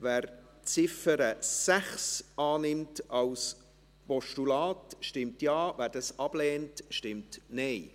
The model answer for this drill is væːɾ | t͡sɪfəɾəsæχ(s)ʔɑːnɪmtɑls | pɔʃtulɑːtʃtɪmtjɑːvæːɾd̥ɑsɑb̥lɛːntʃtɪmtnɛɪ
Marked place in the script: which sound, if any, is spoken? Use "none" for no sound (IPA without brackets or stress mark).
s